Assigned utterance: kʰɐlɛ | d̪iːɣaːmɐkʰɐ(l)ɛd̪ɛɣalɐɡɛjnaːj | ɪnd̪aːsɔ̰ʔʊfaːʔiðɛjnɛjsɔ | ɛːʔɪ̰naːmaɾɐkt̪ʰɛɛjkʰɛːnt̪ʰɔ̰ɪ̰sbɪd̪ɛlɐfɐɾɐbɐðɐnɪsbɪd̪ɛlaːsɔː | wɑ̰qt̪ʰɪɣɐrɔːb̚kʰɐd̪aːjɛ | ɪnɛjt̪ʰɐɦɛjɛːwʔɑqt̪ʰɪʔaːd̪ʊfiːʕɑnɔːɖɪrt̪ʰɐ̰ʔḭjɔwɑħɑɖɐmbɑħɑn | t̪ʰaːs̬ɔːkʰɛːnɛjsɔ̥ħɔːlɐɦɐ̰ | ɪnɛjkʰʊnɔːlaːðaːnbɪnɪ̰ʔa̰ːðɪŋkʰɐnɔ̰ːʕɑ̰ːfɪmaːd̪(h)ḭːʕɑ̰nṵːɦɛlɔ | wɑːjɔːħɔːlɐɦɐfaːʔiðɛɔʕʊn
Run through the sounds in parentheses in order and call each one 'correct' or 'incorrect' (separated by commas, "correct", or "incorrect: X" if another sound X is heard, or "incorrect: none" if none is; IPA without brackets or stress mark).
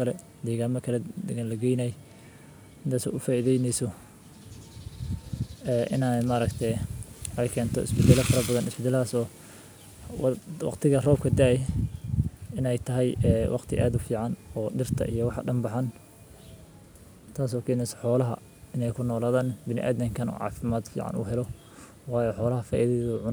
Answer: correct, incorrect: f